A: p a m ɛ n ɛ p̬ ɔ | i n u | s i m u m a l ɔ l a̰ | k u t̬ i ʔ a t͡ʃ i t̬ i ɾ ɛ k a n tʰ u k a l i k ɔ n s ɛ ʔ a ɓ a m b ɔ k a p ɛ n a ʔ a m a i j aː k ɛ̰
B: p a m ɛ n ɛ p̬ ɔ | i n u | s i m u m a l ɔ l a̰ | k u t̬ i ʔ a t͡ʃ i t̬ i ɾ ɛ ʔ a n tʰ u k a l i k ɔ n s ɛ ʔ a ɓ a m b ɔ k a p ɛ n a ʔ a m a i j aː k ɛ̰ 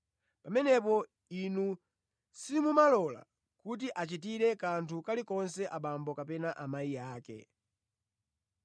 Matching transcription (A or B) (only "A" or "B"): A